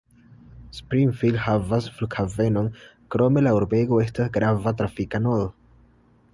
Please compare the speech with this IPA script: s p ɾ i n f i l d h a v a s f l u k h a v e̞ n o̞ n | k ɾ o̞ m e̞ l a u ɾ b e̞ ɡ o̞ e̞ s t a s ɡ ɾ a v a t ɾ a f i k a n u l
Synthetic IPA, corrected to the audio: s p ɾ i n f i l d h a v a s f l u k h a v e̞ n o̞ n | k ɾ o̞ m e̞ l a u ɾ b e̞ ɡ o̞ e̞ s t a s ɡ ɾ a v a t ɾ a f i k a n o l